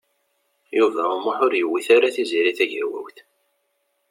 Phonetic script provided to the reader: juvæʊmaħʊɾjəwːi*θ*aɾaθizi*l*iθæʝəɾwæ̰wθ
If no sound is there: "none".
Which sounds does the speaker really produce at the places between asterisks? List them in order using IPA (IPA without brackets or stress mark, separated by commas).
θ, ɾ